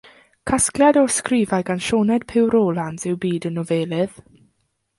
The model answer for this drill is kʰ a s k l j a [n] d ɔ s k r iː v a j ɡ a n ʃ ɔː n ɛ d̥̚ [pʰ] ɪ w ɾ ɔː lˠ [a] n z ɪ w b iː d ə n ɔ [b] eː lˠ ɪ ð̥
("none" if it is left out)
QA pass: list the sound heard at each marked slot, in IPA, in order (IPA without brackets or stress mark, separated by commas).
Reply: none, pʰ, a, v